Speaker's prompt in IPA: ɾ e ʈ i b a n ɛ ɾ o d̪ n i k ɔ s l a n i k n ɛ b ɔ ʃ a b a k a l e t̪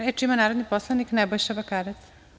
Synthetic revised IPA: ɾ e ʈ i m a n a ɾ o d̪ n i p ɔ s l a n i k n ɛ b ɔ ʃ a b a k a ɾ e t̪